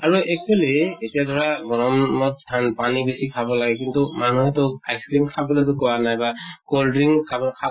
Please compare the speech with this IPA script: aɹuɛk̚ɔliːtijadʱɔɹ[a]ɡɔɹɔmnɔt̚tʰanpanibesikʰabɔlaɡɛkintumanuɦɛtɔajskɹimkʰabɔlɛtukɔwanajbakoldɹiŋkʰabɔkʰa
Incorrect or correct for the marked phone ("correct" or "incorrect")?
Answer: correct